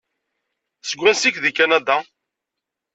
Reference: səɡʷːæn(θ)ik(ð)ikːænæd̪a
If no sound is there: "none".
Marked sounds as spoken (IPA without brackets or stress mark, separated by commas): s, ð